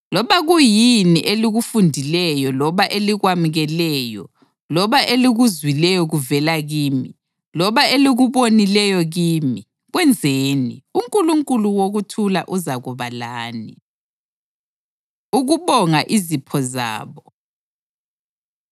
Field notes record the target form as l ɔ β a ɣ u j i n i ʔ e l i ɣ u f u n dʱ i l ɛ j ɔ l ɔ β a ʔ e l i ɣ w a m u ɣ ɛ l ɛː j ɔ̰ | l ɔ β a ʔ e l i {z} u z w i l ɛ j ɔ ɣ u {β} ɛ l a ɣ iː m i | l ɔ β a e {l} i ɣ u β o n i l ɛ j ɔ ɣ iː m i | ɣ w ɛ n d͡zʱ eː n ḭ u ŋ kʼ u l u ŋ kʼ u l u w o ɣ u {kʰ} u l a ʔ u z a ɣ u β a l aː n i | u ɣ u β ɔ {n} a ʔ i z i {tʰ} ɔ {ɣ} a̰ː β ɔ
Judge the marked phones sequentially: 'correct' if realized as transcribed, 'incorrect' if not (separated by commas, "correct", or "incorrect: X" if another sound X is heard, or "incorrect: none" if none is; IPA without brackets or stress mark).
incorrect: ɣ, incorrect: v, correct, incorrect: tʰ, incorrect: ŋ, incorrect: pʰ, incorrect: z